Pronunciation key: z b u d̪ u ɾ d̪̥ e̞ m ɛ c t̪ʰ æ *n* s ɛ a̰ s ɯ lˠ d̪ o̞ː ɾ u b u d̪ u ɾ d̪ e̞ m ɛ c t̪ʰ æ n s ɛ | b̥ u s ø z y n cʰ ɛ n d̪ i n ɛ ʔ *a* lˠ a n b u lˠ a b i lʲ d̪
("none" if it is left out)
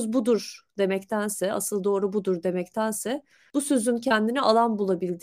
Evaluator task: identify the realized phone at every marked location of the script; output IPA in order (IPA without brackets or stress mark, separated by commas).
n, a